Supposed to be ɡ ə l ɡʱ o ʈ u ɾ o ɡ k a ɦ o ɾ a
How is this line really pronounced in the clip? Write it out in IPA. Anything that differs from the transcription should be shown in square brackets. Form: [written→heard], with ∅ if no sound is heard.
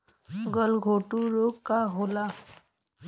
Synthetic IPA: ɡ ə l ɡʱ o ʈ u ɾ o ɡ k a ɦ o [ɾ→l] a

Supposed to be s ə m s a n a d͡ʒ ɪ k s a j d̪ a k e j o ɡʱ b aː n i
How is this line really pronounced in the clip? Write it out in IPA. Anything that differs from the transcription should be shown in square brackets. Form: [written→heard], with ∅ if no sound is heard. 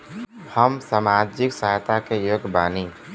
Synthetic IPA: [s→h] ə m s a [n→m] a d͡ʒ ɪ k s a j [d̪→t̪] a k e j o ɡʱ b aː n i

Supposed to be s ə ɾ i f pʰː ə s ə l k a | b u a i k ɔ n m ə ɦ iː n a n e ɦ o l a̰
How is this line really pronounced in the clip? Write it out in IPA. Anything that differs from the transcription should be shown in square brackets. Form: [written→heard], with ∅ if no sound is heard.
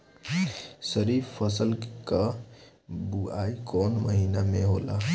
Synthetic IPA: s ə ɾ i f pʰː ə s ə l k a | b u a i k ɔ n m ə ɦ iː n a [n→m] e ɦ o l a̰

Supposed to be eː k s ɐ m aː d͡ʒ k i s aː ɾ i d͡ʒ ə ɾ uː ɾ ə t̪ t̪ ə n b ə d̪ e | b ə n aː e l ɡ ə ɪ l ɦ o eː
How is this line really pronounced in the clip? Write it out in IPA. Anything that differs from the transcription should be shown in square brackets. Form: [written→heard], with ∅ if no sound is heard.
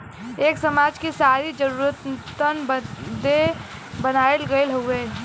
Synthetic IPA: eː k s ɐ m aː d͡ʒ k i s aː ɾ i d͡ʒ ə ɾ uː ɾ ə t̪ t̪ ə n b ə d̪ e | b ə n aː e l ɡ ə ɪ l ɦ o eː

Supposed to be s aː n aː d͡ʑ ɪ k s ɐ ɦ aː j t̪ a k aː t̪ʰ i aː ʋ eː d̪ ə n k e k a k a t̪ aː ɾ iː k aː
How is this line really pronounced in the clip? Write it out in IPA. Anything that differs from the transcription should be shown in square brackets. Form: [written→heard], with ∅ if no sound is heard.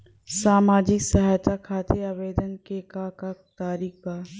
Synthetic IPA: s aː [n→m] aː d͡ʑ ɪ k s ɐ ɦ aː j t̪ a [k→kʰ] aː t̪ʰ [i→e] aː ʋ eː d̪ ə n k e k a k a t̪ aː ɾ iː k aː

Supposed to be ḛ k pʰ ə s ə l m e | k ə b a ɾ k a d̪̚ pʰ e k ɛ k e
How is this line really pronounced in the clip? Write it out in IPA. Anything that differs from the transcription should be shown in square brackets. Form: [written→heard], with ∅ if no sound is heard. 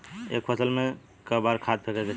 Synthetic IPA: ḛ k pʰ ə s ə l m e | k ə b a ɾ [k→kʰ] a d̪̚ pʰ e k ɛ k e

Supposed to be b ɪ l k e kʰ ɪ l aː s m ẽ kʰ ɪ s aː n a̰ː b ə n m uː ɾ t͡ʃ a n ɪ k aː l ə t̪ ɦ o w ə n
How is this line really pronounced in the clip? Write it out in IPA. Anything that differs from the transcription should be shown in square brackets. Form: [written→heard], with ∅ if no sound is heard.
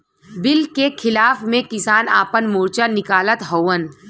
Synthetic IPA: b ɪ l k e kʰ ɪ l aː [s→f] m ẽ [kʰ→k] ɪ s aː n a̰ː [b→p] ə n m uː ɾ t͡ʃ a n ɪ k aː l ə t̪ ɦ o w ə n

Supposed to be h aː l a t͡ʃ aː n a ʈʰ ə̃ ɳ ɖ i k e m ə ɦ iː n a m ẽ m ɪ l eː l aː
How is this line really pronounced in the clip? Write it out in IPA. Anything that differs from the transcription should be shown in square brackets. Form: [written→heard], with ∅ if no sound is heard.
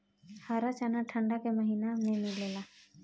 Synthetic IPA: h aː [l→ɾ] a t͡ʃ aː n a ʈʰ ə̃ ɳ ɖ [i→a] k e m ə ɦ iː n a m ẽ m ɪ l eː l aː

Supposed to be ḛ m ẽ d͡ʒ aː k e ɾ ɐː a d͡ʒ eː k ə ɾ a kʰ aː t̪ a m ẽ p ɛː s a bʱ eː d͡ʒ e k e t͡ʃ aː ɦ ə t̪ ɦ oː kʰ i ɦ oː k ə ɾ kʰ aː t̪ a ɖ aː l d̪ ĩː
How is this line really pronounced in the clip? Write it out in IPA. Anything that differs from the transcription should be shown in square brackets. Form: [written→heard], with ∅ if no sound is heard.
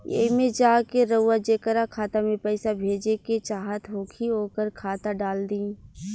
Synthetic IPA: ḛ m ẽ d͡ʒ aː k e ɾ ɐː a d͡ʒ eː k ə ɾ a kʰ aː t̪ a m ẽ p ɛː s a bʱ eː d͡ʒ e k e t͡ʃ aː ɦ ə t̪ ɦ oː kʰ i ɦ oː k ə ɾ kʰ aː t̪ a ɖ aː l d̪ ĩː

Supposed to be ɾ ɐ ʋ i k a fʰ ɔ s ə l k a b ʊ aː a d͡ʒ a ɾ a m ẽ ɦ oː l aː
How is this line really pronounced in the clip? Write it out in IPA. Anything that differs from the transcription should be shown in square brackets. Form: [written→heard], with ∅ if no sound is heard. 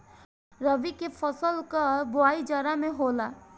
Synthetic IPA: ɾ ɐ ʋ i k [a→e] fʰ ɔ s ə l k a b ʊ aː [a→i] d͡ʒ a ɾ a m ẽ ɦ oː l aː

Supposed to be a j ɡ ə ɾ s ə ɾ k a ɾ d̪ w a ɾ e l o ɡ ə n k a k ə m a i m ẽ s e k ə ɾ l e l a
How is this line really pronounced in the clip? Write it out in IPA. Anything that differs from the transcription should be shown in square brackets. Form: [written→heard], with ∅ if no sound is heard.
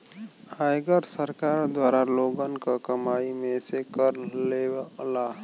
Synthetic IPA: a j ɡ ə ɾ s ə ɾ k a ɾ d̪ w a ɾ [e→a] l o ɡ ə n k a k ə m a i m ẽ s e k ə ɾ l e l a

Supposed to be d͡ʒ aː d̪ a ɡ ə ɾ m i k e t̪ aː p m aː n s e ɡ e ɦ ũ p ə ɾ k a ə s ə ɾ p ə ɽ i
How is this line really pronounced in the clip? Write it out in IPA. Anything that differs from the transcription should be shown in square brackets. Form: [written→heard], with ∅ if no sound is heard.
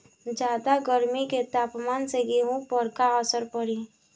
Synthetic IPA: d͡ʒ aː d̪ a ɡ ə ɾ m i k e t̪ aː p m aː n s e ɡ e ɦ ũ p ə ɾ k a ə s ə ɾ p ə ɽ i

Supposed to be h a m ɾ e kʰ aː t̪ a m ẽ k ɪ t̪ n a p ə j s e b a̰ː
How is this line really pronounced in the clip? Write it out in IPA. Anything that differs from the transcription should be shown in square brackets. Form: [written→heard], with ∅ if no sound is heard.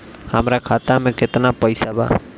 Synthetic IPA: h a m ɾ [e→a] kʰ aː t̪ a m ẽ k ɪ t̪ n a p ə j s [e→a] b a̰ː

